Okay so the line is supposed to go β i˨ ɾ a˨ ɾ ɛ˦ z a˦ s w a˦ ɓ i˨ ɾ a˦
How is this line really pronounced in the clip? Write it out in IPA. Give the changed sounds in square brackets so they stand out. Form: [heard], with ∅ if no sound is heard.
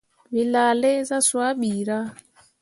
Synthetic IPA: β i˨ [l] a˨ [l] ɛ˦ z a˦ s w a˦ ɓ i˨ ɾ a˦